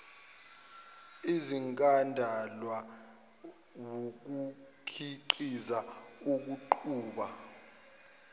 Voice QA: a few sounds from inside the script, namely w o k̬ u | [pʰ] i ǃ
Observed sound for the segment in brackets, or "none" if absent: kʰ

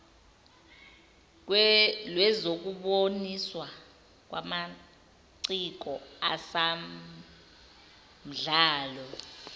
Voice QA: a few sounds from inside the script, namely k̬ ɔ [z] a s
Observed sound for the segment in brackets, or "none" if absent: none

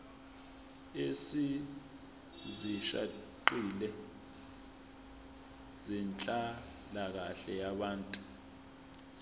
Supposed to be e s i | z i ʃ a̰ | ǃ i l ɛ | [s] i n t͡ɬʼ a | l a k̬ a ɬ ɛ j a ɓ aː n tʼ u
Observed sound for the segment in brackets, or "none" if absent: z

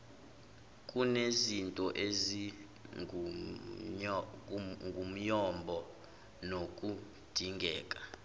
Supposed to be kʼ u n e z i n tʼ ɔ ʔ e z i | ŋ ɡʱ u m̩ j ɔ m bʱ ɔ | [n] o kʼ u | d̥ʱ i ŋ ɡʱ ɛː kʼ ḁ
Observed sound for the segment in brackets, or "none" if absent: n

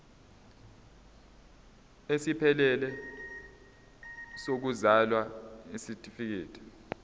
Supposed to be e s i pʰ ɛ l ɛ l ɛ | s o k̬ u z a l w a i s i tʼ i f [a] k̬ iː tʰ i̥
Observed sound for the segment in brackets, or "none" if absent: i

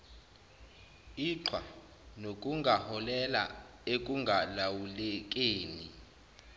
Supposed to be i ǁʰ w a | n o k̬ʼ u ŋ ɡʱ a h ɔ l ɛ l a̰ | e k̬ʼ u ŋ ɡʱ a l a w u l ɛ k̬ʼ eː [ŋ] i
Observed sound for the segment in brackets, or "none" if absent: n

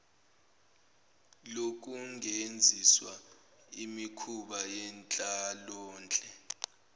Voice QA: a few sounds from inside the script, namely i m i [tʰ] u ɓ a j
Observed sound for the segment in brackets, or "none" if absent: kʰ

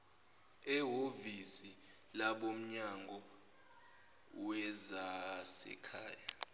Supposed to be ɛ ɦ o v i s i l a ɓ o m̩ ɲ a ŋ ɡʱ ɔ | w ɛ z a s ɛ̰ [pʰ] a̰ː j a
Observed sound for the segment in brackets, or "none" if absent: kʰ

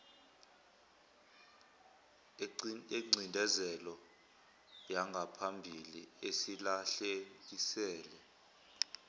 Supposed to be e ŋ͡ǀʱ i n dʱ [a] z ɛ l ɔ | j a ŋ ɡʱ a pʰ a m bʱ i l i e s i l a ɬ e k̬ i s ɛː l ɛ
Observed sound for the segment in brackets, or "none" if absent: ɛ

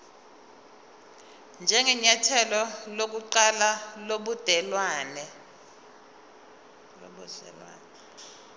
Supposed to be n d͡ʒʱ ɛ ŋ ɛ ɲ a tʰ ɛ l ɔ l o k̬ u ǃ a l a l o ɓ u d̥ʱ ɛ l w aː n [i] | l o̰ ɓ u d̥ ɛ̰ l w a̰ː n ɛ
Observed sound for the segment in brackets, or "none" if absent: ɛ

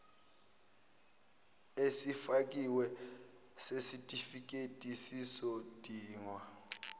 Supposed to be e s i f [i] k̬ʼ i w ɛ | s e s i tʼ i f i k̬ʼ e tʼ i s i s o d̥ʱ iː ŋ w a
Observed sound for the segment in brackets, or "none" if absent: a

